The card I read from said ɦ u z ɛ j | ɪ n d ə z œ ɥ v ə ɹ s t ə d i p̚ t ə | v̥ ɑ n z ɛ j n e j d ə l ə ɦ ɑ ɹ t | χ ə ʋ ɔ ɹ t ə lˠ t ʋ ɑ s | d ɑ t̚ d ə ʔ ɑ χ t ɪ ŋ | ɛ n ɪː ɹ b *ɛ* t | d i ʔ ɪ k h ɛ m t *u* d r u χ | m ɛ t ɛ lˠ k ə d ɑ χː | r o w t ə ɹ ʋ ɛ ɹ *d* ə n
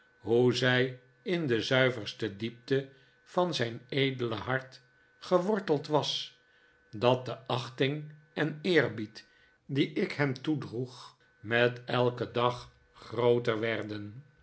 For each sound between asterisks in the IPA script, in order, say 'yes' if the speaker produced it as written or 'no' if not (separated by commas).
no, yes, yes